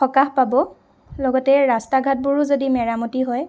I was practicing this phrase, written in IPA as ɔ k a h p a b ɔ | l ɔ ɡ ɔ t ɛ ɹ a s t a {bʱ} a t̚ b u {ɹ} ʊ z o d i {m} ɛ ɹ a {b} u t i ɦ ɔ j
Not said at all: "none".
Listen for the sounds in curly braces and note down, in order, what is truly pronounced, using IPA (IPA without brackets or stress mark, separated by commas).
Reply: ɡʱ, ɹ, m, m